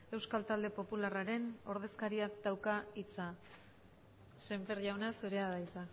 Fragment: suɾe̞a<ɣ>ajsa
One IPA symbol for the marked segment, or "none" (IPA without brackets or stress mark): ð